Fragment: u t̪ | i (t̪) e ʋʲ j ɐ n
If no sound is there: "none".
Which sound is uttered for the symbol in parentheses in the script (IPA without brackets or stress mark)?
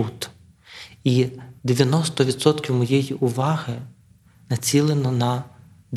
d̪